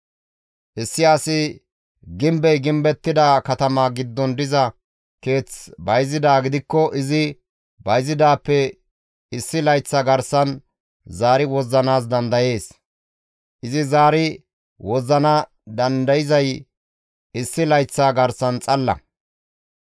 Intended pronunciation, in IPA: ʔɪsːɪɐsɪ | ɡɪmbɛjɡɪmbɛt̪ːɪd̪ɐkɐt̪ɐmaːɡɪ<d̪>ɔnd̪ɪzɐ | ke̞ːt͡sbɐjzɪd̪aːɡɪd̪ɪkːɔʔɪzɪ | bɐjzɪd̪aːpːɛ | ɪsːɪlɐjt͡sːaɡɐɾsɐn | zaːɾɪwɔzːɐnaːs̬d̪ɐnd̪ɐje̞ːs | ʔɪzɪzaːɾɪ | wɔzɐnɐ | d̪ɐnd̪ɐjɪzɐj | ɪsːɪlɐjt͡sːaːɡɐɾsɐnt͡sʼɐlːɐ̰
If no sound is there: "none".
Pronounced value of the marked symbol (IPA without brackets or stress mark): d̪ː